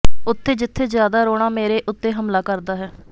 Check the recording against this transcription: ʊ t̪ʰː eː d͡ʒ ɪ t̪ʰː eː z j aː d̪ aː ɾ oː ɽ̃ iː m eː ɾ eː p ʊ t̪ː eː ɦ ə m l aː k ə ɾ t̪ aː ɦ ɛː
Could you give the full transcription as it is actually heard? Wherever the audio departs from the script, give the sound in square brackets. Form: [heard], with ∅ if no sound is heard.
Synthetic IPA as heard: ʊ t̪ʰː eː d͡ʒ ɪ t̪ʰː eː z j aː d̪ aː ɾ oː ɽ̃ [aː] m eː ɾ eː [ʔ] ʊ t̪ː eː ɦ ə m l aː k ə ɾ [d̪] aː ɦ ɛː